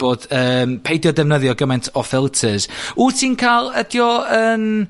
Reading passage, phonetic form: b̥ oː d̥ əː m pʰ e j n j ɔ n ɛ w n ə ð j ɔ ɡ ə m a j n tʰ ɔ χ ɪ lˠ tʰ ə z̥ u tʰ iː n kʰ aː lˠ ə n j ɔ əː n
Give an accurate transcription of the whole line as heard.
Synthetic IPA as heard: b̥ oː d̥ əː m pʰ e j d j ɔ d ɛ v n ə ð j ɔ ɡ ə m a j n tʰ ɔ f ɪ lˠ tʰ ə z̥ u tʰ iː n kʰ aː lˠ ə d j ɔ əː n